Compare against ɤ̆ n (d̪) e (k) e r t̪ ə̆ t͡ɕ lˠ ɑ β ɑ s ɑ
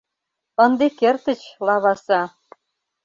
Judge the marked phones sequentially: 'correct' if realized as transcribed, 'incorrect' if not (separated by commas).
correct, correct